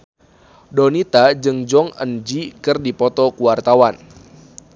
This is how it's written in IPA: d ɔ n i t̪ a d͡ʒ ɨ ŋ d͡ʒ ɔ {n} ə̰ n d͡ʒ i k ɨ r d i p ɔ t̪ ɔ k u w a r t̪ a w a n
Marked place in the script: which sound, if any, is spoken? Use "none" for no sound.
ŋ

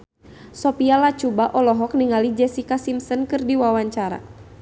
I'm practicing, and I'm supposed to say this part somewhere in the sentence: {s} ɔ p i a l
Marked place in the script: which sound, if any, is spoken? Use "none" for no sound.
s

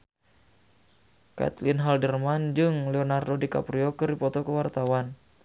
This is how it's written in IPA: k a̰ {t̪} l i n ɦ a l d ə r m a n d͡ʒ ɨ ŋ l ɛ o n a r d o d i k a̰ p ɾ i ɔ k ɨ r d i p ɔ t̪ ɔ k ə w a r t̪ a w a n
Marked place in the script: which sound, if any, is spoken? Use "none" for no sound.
t̪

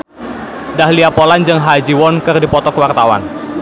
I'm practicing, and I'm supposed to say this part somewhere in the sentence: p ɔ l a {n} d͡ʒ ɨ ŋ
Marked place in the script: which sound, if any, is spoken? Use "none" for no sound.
n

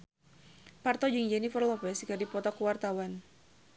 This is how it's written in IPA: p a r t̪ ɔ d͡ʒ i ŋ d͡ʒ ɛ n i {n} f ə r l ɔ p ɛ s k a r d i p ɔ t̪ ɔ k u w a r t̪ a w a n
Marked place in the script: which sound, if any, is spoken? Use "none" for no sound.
none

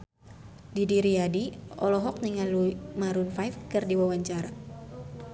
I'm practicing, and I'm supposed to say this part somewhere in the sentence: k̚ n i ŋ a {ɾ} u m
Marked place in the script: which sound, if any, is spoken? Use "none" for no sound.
l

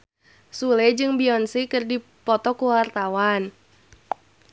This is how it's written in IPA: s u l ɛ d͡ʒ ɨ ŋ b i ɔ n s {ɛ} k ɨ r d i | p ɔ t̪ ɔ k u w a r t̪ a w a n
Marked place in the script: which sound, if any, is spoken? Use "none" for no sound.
i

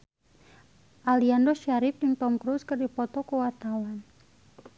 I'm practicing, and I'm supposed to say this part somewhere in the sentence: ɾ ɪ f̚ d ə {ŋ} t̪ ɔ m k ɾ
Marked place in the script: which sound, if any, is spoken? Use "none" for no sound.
ŋ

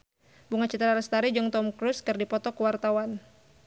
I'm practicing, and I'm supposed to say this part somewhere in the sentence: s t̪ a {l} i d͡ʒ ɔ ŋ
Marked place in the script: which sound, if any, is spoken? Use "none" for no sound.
ɾ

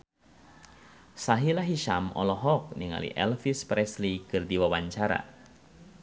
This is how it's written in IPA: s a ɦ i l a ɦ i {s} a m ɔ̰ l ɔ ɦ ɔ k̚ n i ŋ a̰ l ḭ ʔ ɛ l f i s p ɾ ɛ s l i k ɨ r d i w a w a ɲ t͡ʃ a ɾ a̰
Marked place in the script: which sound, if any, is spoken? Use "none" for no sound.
ʃ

